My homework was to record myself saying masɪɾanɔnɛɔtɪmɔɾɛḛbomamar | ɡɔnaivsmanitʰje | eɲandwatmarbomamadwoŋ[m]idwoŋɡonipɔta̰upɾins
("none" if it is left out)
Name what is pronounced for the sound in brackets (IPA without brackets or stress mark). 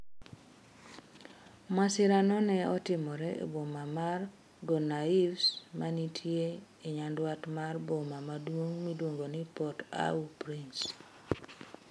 m